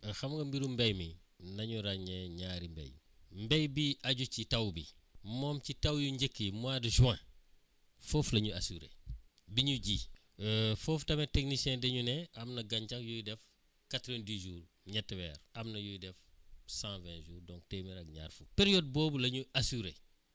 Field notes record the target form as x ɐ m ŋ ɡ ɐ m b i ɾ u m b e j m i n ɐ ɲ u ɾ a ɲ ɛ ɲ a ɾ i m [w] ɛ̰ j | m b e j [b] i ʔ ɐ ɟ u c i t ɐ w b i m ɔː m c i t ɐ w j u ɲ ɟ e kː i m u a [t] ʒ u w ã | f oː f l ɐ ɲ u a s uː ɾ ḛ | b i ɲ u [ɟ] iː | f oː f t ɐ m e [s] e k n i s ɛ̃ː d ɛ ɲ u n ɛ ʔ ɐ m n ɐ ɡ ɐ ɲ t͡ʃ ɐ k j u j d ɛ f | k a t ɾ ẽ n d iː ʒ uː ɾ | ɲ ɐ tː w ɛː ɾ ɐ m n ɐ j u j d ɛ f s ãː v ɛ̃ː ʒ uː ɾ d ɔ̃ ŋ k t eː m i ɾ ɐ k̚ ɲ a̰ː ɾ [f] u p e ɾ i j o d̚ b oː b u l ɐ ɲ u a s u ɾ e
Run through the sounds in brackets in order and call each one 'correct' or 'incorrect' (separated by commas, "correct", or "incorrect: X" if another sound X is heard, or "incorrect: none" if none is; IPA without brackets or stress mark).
incorrect: b, correct, incorrect: d, correct, incorrect: t, correct